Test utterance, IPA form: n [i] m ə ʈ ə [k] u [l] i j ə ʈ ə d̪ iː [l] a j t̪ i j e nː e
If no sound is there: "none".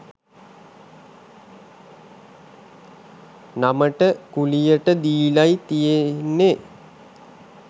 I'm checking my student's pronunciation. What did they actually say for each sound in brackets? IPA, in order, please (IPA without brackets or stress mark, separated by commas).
a, k, l, l